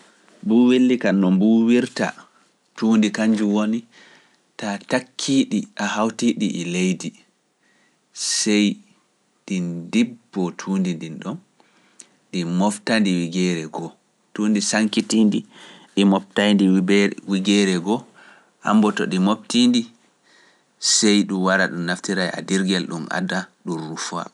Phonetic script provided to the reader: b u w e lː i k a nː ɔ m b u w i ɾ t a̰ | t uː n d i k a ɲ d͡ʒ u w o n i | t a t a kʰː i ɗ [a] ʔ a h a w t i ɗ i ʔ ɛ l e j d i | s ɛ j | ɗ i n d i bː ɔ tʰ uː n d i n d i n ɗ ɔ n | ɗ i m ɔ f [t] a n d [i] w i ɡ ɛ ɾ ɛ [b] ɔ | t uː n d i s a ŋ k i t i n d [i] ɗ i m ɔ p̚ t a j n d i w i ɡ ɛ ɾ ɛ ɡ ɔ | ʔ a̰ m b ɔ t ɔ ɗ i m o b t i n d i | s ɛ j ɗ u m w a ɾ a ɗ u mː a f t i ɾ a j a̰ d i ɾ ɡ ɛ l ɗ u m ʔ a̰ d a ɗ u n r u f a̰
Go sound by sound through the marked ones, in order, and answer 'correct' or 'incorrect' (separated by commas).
incorrect, correct, correct, incorrect, correct